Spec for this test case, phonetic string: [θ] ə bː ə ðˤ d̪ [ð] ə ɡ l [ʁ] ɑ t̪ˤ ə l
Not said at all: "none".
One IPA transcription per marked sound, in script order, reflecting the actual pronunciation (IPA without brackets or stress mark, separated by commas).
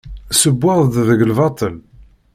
s, ð, v